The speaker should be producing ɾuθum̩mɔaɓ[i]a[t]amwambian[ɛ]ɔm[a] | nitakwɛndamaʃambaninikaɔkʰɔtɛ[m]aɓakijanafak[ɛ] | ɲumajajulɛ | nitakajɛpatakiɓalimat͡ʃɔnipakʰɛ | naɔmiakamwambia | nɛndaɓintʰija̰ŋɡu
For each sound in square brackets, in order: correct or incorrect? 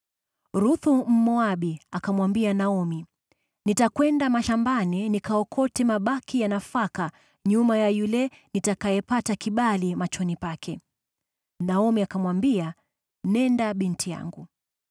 correct, incorrect, incorrect, incorrect, correct, incorrect

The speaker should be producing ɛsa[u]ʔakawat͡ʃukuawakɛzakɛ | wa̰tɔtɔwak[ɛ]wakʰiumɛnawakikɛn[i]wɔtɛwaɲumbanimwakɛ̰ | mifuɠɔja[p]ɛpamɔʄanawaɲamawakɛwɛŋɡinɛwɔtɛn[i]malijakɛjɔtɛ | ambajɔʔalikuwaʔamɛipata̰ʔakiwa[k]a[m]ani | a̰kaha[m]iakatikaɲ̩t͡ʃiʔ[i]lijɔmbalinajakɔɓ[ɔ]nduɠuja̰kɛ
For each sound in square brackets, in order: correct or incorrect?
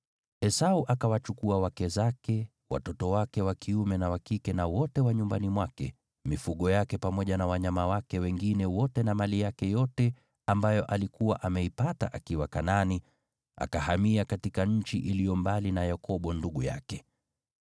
correct, correct, incorrect, incorrect, incorrect, correct, incorrect, correct, correct, correct

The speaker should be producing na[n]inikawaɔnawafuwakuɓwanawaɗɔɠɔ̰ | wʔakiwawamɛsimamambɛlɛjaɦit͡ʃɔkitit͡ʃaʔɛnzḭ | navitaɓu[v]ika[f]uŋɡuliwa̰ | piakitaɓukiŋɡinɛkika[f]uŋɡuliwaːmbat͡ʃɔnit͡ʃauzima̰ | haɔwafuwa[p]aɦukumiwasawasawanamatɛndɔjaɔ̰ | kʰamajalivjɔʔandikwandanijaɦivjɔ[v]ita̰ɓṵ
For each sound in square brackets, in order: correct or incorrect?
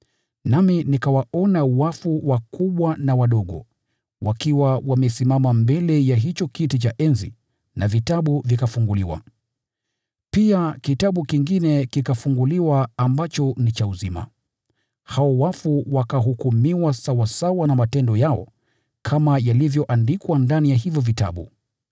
incorrect, correct, correct, correct, incorrect, correct

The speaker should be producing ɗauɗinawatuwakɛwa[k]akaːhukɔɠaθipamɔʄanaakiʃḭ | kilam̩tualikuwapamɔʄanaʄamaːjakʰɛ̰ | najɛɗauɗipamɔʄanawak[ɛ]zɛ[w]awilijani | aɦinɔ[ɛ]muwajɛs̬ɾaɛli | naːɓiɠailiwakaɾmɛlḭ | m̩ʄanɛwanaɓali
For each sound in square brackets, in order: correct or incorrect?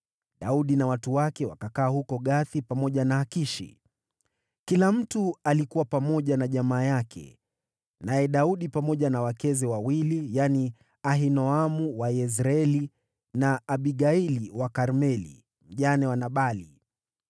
correct, correct, correct, incorrect

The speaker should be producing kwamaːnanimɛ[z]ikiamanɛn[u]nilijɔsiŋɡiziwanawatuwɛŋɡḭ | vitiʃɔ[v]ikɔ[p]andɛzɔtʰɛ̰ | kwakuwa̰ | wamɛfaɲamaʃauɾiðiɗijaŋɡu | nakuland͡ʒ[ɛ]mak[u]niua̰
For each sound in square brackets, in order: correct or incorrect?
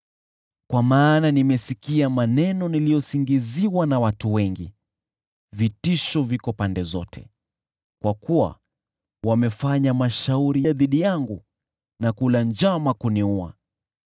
incorrect, incorrect, correct, correct, incorrect, correct

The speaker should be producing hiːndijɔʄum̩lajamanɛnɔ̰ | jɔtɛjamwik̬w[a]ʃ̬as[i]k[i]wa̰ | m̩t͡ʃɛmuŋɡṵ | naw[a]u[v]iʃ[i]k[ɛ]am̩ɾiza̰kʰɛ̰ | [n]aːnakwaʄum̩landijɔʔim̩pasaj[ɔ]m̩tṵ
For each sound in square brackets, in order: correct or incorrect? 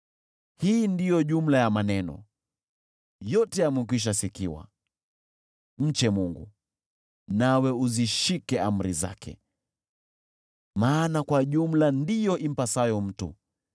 incorrect, correct, correct, incorrect, incorrect, correct, correct, incorrect, correct

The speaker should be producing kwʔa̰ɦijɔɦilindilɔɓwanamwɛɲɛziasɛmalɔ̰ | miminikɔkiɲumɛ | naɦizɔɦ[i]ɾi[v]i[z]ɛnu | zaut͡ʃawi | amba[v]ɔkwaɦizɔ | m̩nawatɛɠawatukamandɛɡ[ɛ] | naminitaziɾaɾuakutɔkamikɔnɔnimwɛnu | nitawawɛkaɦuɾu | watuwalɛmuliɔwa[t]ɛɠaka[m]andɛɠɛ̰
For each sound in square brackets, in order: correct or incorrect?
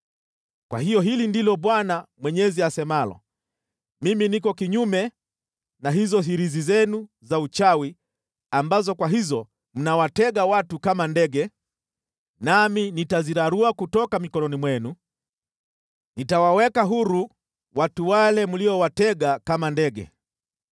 correct, incorrect, correct, incorrect, correct, correct, correct

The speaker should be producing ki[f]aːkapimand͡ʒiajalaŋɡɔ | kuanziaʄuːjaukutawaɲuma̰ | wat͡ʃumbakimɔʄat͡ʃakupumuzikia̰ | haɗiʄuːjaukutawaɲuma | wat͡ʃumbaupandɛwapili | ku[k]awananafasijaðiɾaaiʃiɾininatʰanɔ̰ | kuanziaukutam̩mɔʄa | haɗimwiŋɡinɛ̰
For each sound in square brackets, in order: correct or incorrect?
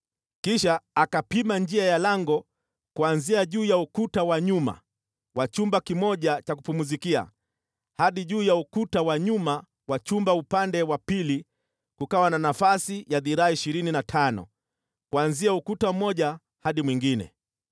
incorrect, correct

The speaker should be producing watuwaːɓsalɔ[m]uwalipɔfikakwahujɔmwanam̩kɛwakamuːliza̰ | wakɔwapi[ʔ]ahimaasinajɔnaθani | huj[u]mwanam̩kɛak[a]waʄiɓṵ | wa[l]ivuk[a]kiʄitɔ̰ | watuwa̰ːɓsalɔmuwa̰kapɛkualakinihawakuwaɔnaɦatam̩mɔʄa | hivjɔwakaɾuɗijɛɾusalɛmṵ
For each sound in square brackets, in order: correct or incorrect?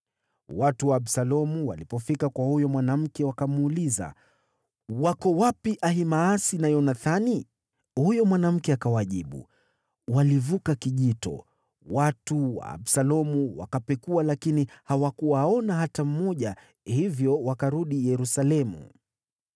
correct, correct, incorrect, correct, correct, correct

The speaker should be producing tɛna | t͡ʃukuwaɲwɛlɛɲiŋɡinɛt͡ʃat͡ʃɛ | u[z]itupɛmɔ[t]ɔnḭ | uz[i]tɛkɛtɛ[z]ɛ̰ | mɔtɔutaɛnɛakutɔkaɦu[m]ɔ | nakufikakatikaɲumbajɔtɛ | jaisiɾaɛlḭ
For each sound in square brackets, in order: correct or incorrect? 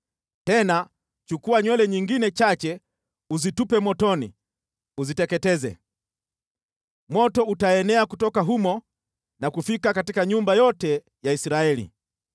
correct, correct, correct, correct, correct

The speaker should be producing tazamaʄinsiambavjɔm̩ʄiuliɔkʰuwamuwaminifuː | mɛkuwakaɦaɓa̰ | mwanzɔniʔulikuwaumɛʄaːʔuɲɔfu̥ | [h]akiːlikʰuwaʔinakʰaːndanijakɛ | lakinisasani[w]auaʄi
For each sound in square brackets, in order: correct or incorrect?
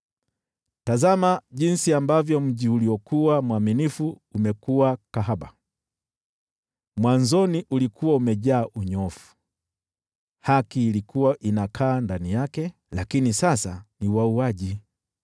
correct, correct

